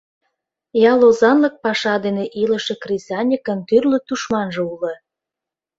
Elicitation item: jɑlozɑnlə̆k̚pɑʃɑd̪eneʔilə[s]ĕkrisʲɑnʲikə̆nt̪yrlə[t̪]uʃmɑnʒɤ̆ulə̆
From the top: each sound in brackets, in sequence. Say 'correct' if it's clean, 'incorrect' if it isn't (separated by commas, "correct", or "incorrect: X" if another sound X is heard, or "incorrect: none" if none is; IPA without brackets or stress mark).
incorrect: ʃ, correct